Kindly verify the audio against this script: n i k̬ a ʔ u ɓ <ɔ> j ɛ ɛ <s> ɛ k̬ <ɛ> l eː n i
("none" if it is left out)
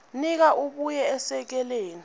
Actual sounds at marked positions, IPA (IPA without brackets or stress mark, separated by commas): u, s, ɛ